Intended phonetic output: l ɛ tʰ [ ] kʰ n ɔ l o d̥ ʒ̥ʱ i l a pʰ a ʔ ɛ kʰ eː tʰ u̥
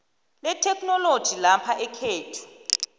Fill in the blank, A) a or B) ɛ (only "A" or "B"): B